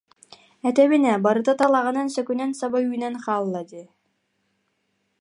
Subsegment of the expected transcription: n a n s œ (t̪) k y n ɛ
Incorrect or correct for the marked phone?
incorrect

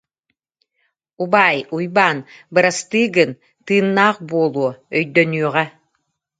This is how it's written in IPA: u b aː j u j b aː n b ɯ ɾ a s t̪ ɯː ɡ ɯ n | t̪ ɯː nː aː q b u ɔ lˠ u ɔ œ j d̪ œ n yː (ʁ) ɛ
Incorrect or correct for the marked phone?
correct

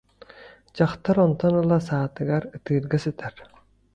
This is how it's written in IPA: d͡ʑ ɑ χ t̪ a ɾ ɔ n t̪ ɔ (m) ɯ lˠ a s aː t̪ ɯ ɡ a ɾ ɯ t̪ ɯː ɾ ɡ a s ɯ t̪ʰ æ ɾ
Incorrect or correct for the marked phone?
incorrect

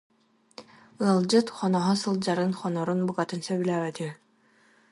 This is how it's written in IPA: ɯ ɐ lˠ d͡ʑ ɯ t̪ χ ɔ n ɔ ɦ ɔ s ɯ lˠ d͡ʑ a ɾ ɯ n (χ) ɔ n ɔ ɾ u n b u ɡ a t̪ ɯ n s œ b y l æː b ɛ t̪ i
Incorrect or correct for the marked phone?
correct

